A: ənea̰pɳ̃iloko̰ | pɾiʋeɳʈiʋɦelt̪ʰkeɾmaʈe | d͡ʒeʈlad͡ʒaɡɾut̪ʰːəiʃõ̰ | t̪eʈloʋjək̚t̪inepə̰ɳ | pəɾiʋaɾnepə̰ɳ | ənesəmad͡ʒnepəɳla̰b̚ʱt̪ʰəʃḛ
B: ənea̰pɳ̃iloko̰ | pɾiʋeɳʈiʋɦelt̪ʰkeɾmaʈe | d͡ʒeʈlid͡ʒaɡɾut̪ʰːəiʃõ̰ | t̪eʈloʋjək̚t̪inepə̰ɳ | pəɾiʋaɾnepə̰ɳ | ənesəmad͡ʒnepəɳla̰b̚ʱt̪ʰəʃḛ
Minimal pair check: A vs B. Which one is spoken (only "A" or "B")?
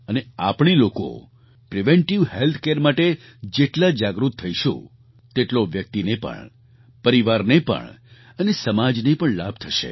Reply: A